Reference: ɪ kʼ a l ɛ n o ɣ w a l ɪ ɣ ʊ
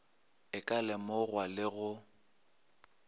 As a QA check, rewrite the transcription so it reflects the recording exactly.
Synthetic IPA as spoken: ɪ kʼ a l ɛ m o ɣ w a l ɪ ɣ ʊ